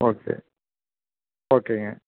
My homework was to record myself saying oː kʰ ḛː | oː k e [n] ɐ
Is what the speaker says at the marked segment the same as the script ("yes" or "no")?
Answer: no